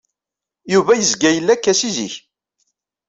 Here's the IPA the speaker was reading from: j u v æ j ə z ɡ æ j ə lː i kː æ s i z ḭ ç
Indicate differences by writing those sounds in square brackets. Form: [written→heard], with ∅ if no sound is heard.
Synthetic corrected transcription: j u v æ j ə z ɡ æ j ə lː [i→æ] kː æ s i z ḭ ç